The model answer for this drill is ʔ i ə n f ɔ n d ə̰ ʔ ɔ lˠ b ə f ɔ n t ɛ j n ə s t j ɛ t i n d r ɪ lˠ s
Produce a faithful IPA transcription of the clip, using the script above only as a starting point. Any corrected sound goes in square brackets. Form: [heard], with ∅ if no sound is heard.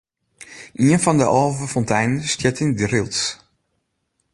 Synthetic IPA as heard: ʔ i ə n f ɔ n d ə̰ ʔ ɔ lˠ [v] ə f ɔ n t ɛ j n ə s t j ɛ t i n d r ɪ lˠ s